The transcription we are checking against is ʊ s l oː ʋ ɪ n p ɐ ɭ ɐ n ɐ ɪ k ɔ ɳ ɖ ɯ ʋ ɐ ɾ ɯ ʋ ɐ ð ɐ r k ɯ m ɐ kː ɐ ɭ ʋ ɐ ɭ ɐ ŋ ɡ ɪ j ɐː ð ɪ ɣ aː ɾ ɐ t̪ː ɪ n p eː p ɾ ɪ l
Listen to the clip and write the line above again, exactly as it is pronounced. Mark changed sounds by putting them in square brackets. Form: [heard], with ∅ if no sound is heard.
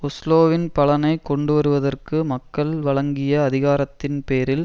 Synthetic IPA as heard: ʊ s l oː ʋ ɪ n p ɐ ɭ ɐ n ɐ ɪ k ɔ ɳ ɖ ɯ ʋ ɐ ɾ ɯ ʋ ɐ ð ɐ r k ɯ m ɐ kː ɐ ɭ ʋ ɐ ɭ ɐ ŋ ɡ ɪ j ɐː ð ɪ ɣ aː ɾ ɐ t̪ː ɪ n p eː [∅] ɾ ɪ l